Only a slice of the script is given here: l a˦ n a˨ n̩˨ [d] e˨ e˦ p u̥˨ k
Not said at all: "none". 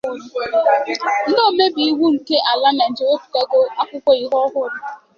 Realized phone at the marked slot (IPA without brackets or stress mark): d͡ʒ